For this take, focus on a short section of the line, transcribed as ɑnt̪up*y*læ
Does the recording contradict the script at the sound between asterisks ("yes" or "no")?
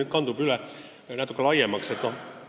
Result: no